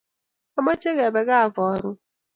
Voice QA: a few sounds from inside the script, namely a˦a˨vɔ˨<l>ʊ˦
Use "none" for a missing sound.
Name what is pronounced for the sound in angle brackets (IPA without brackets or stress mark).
ɾ